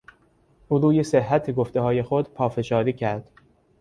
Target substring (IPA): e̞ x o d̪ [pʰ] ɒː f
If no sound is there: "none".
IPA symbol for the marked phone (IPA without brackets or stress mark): pʰ